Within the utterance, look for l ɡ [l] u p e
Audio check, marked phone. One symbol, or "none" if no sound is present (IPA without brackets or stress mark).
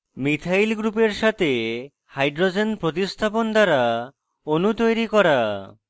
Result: ɾ